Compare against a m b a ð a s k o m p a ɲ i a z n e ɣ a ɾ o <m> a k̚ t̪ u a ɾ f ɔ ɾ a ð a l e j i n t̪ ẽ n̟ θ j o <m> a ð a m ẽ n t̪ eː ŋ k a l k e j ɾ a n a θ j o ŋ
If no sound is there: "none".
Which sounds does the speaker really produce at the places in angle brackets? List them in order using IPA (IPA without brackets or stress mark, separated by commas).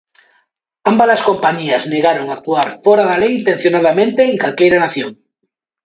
ŋ, n